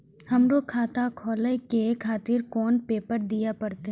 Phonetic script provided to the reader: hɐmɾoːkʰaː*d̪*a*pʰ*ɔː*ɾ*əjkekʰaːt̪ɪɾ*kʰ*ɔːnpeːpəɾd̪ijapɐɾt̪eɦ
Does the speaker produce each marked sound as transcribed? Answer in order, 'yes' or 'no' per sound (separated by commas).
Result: no, no, no, no